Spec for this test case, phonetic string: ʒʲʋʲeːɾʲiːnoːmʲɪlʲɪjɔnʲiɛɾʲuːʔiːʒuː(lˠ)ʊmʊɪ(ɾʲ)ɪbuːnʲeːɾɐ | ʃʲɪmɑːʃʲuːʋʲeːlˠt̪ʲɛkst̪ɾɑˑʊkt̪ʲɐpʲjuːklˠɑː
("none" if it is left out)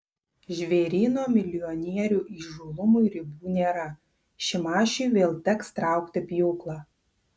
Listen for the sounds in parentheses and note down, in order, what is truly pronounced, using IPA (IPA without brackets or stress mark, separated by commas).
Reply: lˠ, ɾʲ